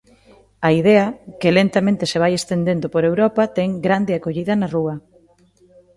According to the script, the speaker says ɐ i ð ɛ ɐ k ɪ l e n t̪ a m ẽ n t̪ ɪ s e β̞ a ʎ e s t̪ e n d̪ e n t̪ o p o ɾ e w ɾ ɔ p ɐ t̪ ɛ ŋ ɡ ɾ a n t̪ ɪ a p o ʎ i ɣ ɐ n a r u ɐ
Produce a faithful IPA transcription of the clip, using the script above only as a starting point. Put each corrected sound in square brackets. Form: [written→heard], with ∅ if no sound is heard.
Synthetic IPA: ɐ i ð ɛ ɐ k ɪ l e n t̪ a m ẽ n t̪ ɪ s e β̞ a [ʎ→j] e s t̪ e n d̪ e n [t̪→d̪] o p o ɾ e w ɾ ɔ p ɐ t̪ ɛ ŋ ɡ ɾ a n [t̪→d̪] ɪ a [p→k] o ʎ i [ɣ→ð] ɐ n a r u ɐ